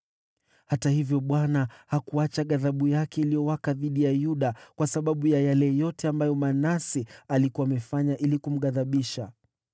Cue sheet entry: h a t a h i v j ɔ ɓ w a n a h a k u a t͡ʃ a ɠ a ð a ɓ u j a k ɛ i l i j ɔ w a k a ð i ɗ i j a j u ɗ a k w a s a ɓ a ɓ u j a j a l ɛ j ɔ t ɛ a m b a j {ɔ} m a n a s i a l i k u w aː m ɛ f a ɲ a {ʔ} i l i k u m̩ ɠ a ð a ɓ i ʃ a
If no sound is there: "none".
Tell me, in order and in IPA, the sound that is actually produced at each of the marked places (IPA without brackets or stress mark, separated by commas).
ɔ, ʔ